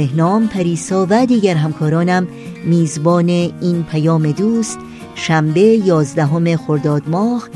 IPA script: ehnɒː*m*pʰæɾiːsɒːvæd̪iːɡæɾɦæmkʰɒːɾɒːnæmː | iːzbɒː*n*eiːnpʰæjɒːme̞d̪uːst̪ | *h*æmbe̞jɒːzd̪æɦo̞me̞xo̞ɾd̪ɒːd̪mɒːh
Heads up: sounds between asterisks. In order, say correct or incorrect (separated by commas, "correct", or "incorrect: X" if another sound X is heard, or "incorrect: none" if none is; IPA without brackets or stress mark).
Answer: correct, correct, incorrect: ʃ